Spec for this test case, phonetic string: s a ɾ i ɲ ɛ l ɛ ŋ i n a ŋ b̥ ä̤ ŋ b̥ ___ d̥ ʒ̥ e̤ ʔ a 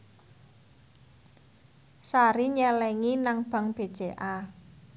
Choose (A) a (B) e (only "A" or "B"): B